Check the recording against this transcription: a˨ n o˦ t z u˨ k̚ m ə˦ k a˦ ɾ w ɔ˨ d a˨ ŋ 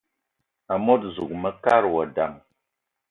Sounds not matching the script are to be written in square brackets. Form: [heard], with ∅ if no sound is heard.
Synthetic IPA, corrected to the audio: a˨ [m] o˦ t z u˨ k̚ m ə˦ k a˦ ɾ w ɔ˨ d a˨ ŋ